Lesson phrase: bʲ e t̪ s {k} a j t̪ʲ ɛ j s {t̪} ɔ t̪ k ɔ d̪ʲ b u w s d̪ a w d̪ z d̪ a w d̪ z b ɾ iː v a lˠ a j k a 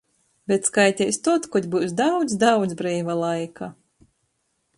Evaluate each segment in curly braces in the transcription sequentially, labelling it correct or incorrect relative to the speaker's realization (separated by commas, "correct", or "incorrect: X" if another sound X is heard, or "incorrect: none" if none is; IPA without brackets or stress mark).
correct, correct